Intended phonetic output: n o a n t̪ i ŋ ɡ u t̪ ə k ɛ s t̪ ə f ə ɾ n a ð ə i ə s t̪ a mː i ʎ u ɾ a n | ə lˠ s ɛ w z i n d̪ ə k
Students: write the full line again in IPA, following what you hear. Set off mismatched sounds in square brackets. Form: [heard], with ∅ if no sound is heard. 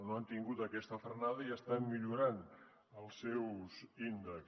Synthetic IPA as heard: n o a n t̪ i ŋ ɡ u t̪ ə k ɛ s t̪ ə f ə ɾ n a ð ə i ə s t̪ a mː i ʎ u ɾ a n | ə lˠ s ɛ w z i n d̪ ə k